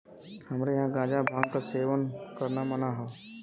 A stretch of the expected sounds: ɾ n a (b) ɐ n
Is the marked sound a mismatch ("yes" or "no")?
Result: yes